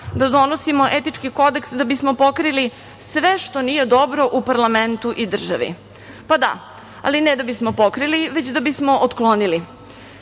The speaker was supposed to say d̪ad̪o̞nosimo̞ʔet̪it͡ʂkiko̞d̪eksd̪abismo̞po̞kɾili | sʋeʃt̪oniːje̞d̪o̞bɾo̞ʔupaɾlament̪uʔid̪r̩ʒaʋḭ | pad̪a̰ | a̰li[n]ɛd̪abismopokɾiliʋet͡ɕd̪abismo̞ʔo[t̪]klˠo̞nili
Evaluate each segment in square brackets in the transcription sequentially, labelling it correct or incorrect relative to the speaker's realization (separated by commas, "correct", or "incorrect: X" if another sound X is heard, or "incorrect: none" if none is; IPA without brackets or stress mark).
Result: correct, correct